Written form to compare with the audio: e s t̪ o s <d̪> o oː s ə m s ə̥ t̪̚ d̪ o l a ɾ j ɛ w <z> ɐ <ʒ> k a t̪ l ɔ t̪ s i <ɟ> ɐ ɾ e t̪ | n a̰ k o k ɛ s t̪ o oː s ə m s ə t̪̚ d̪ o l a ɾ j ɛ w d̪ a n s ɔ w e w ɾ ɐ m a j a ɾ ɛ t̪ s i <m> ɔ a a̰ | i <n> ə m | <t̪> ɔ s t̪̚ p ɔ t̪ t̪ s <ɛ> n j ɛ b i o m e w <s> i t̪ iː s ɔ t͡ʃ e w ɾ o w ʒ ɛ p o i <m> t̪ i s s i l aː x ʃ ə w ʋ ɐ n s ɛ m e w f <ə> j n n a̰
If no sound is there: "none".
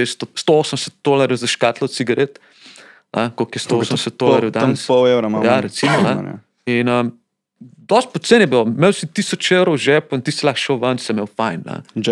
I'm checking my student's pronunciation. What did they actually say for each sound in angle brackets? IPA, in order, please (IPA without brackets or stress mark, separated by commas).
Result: t̪, z, ʃ, ɡ, m, n, d̪, e, s, n, a